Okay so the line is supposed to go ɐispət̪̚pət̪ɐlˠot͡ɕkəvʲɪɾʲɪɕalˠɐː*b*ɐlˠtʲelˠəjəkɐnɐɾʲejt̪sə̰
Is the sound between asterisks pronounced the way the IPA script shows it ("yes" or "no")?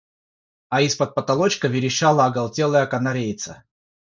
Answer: no